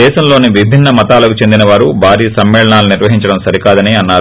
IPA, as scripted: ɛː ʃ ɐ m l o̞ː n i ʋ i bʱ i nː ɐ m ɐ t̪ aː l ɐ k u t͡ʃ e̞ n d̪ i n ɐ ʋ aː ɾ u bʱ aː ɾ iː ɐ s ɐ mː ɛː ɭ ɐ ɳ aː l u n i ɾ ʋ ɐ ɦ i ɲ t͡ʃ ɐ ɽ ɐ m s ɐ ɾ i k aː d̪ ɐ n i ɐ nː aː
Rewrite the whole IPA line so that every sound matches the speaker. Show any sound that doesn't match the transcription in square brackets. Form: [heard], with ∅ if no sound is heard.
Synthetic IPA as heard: ɛː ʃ ɐ m l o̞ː n i ʋ i bʱ i nː ɐ m ɐ t̪ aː l ɐ k u t͡ʃ e̞ n d̪ i n ɐ ʋ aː ɾ u bʱ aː ɾ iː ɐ s ɐ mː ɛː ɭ ɐ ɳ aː l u n i ɾ ʋ ɐ ɦ i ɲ t͡ʃ ɐ ɽ ɐ m s ɐ ɾ i k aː d̪ ɐ n i ɐ nː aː